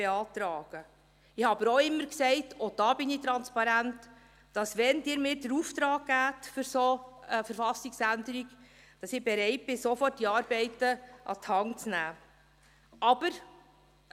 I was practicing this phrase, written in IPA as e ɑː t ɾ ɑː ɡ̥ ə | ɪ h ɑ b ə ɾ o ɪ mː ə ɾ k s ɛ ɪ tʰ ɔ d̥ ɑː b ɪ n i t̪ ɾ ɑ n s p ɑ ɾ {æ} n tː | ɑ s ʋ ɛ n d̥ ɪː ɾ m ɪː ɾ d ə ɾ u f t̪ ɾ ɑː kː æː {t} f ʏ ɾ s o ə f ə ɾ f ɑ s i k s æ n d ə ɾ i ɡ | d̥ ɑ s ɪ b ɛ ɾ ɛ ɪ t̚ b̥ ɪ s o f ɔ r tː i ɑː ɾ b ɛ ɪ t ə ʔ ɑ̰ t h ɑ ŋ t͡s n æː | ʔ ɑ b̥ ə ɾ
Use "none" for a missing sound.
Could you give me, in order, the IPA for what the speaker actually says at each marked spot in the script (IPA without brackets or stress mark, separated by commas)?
æ, t